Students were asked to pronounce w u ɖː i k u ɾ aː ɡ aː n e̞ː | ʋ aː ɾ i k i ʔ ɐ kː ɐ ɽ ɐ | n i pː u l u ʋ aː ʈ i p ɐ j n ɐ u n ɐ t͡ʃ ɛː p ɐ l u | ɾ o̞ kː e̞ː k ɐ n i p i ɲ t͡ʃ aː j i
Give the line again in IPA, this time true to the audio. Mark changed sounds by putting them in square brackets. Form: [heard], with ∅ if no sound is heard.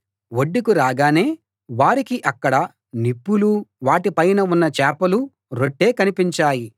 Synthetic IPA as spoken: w [o] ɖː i k u ɾ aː ɡ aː n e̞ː | ʋ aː ɾ i k i ʔ ɐ kː ɐ ɽ ɐ | n i pː u l u ʋ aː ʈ i p ɐ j n ɐ u [nː] ɐ t͡ʃ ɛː p ɐ l u | ɾ o̞ [ʈː] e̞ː k ɐ n i p i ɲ t͡ʃ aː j i

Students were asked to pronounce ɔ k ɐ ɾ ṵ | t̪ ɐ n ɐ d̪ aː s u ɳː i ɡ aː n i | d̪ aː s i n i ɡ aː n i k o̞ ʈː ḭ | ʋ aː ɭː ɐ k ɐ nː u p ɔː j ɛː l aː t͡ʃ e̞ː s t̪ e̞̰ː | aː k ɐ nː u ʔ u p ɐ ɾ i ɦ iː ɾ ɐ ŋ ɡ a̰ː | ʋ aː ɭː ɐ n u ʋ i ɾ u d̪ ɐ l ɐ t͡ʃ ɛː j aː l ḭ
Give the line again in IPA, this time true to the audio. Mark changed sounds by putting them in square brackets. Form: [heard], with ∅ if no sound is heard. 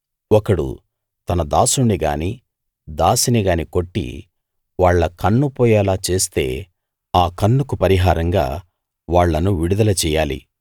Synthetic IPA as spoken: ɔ k ɐ [ɽ] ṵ | t̪ ɐ n ɐ d̪ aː s u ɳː i ɡ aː n i | d̪ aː s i n i ɡ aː n i k o̞ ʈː ḭ | ʋ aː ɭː ɐ k ɐ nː u p ɔː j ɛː l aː t͡ʃ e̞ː s t̪ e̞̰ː | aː k ɐ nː u [k] u p ɐ ɾ i ɦ [aː] ɾ ɐ ŋ ɡ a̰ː | ʋ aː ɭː ɐ n u ʋ i [ɽ] u d̪ ɐ l ɐ t͡ʃ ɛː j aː l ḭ

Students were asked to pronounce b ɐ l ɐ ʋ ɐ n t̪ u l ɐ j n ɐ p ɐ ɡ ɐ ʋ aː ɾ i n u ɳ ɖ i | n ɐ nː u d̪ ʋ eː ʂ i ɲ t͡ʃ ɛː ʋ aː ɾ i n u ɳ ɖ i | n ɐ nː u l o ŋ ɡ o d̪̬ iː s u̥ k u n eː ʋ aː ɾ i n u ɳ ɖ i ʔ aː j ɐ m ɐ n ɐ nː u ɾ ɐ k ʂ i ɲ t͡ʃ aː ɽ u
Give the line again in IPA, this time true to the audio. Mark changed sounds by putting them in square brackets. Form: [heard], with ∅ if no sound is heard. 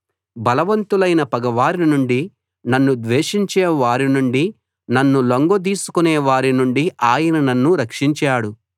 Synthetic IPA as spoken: b ɐ l ɐ ʋ ɐ n t̪ u l ɐ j n ɐ p ɐ ɡ ɐ ʋ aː ɾ i n u ɳ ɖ i | n ɐ nː u d̪ ʋ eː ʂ i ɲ t͡ʃ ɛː ʋ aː ɾ i n u ɳ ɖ i | n ɐ nː u l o ŋ ɡ o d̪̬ iː s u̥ k u n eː ʋ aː ɾ i n u ɳ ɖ i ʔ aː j ɐ [n] ɐ n ɐ nː u ɾ ɐ k ʂ i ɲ t͡ʃ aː ɽ u

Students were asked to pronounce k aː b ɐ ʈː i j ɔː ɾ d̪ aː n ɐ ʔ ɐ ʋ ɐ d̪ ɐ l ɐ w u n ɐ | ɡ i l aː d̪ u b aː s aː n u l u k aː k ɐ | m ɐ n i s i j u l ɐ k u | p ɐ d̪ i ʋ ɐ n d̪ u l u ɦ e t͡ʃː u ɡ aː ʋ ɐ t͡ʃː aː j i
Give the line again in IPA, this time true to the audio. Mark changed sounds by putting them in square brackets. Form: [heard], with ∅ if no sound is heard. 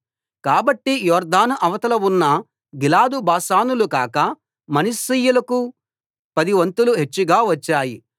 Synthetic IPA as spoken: k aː b ɐ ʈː i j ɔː ɾ d̪ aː n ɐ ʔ ɐ ʋ ɐ [t̪] ɐ l ɐ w u [nː] ɐ | ɡ i l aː d̪ u b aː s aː n u l u k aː k ɐ | m ɐ n i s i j u l ɐ k u | p ɐ d̪ i ʋ ɐ n [t̪] u l u ɦ e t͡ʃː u ɡ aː ʋ ɐ t͡ʃː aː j i

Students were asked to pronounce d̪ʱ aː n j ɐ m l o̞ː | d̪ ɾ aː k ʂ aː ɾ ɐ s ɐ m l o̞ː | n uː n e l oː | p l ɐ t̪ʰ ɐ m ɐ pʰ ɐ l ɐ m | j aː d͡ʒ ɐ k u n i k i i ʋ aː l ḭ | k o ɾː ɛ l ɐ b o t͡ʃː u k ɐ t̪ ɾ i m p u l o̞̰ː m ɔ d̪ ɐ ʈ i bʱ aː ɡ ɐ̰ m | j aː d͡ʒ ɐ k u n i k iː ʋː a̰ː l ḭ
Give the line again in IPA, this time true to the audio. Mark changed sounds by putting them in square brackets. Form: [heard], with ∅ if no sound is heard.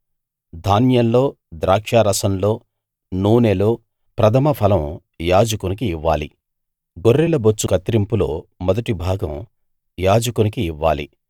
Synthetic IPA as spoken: d̪ʱ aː n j ɐ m l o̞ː | d̪ ɾ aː k ʂ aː ɾ ɐ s ɐ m l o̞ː | n uː n e l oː | p [ɾ] ɐ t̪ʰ ɐ m ɐ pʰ ɐ l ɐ m | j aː d͡ʒ ɐ k u n i k i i [ʋː] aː l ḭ | [ɡ] o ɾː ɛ l ɐ b o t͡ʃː u k ɐ t̪ ɾ i m p u l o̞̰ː m ɔ d̪ ɐ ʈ i bʱ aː ɡ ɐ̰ m | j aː d͡ʒ ɐ k u n i k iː ʋː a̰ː l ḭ

